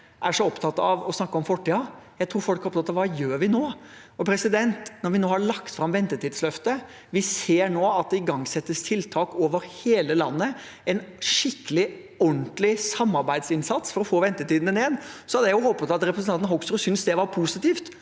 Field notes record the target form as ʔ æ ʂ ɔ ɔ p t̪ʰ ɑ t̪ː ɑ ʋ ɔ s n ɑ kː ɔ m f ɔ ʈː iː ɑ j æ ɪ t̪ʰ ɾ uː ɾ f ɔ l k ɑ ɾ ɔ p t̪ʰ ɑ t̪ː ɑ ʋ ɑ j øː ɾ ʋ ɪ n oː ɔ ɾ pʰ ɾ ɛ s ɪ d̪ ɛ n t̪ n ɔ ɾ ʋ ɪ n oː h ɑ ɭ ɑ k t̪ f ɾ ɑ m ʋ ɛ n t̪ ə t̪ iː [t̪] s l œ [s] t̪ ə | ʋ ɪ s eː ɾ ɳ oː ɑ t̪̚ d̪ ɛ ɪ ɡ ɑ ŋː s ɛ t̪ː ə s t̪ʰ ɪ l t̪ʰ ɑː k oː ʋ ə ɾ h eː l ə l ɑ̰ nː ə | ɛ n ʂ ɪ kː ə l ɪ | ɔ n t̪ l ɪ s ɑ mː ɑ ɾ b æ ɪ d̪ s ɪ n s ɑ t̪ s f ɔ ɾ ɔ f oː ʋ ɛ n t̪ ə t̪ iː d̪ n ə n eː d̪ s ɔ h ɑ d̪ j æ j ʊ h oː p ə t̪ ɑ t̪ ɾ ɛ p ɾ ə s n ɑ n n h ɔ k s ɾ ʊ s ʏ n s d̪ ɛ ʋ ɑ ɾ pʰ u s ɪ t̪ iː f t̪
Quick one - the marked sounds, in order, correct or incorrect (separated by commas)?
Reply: incorrect, incorrect